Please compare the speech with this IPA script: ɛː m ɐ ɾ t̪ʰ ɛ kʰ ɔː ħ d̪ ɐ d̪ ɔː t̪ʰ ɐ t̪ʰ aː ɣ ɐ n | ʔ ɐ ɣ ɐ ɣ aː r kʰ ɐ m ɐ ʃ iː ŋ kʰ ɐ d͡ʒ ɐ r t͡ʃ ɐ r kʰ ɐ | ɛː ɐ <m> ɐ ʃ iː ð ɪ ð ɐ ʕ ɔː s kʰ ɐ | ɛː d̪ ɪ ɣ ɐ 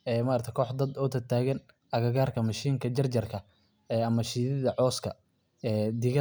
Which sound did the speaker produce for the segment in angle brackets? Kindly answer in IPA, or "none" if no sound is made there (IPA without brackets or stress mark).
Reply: m